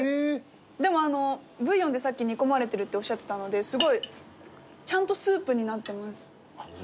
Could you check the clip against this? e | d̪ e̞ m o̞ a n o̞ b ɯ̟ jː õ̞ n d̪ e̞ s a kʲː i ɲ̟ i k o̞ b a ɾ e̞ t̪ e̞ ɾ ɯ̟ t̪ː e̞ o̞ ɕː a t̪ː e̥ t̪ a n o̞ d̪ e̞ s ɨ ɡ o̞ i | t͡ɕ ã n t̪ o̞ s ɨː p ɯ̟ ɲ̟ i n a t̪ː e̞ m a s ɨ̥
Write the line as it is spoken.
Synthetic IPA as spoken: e | d̪ e̞ m o̞ a n o̞ b ɯ̟ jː õ̞ n d̪ e̞ s a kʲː i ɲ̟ i k o̞ m a ɾ e̞ t̪ e̞ ɾ ɯ̟ t̪ː e̞ o̞ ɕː a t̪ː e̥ t̪ a n o̞ d̪ e̞ s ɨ ɡ o̞ i | t͡ɕ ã n t̪ o̞ s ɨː p ɯ̟ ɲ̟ i n a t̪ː e̞ m a s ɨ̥